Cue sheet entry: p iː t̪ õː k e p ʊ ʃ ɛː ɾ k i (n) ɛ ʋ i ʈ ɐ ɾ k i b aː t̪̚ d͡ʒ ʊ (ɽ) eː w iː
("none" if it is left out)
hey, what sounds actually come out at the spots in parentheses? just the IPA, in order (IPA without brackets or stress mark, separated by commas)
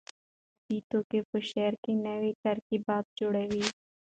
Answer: n, ɽ